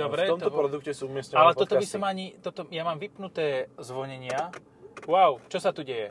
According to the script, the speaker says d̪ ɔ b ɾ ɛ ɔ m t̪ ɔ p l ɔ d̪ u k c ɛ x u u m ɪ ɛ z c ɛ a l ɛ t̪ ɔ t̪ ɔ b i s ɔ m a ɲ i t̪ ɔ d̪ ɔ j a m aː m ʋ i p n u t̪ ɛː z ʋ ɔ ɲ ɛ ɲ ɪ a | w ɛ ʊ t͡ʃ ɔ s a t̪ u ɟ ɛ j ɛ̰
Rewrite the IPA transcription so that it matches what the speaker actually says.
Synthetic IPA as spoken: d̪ ɔ b ɾ ɛ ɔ m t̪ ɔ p ɾ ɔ d̪ u k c ɛ s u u m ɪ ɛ s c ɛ a l ɛ t̪ ɔ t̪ ɔ b i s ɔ m a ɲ i t̪ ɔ t̪ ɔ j a m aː m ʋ i p n u t̪ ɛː z ʋ ɔ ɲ ɛ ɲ ɪ a | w a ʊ t͡ʃ ɔ s a t̪ u ɟ ɛ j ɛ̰